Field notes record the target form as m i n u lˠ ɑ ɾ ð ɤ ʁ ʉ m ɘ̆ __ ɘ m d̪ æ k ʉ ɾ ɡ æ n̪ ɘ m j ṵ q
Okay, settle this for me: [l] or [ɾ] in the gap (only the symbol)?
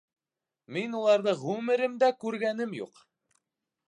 ɾ